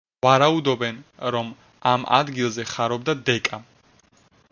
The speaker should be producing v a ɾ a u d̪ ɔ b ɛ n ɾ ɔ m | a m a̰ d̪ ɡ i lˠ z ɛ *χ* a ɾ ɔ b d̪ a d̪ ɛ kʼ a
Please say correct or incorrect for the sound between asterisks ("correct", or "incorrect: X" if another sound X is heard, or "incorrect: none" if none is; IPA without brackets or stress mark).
correct